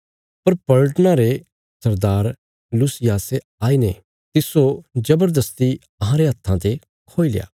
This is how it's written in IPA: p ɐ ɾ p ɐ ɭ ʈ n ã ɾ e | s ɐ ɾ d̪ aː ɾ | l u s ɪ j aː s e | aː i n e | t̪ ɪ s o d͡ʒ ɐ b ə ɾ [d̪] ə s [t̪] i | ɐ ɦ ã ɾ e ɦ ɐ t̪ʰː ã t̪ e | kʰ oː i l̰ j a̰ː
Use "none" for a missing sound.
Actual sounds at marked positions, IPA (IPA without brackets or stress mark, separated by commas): d̪, t̪